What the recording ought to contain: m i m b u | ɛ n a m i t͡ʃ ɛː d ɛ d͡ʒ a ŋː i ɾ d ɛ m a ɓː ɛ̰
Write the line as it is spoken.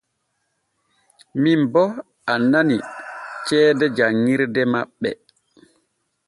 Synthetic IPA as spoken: m i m b ɔ | a n a n i t͡ʃ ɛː d ɛ d͡ʒ a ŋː i ɾ d ɛ m a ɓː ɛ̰